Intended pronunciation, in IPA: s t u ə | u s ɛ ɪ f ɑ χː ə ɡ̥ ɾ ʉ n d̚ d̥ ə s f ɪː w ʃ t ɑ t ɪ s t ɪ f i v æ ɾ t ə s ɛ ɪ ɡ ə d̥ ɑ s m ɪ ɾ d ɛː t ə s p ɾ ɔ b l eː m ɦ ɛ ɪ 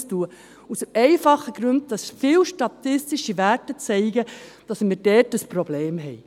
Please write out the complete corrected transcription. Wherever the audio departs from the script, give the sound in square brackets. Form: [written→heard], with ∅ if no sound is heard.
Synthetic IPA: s t u ə | u s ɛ ɪ f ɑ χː ə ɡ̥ ɾ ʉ n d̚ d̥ [ə→ɑ] s f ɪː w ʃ t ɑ t ɪ s t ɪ [f→ʃ] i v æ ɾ t ə [s→t͡s] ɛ ɪ ɡ ə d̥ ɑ s m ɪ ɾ d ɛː t ə s p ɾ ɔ b l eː m ɦ ɛ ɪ